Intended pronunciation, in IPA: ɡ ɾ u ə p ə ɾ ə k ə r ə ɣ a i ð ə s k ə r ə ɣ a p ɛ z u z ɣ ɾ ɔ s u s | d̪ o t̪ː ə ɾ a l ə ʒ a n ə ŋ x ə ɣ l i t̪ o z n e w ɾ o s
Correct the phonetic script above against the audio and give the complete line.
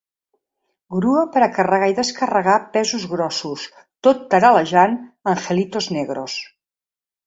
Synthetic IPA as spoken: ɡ ɾ u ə p ə ɾ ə k ə r ə ɣ a i ð ə s k ə r ə ɣ a p ɛ z u z ɣ ɾ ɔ s u s | t̪ o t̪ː ə ɾ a l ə ʒ a n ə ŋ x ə l i t̪ o z n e ɣ ɾ o s